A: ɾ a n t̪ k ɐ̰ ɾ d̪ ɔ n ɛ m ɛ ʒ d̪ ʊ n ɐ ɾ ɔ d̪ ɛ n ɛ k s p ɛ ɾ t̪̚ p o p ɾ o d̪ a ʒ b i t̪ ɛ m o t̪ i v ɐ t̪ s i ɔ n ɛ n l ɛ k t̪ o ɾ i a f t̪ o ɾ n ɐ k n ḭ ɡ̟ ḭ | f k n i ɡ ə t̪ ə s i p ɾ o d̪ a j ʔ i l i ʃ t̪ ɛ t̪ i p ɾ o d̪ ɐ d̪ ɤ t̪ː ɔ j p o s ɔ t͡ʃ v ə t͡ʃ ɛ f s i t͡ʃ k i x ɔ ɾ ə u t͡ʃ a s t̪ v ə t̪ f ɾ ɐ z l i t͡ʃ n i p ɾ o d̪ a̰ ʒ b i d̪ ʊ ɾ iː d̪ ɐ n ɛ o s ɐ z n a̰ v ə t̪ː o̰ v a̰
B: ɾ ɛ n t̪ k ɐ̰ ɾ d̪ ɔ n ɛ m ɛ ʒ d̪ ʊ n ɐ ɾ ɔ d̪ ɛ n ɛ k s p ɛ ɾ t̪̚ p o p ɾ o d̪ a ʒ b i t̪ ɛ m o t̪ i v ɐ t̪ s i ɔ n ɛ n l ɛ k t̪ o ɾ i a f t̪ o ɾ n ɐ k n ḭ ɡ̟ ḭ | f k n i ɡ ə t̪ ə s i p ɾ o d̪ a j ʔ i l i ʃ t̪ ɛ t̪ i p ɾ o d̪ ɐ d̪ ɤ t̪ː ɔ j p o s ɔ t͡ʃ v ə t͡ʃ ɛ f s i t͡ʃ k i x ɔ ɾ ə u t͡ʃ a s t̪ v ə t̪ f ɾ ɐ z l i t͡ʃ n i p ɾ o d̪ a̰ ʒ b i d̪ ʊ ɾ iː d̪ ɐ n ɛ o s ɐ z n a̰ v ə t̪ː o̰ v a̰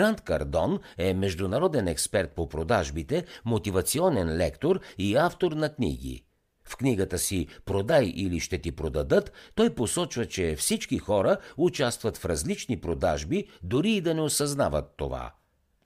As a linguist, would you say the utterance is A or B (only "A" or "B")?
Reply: A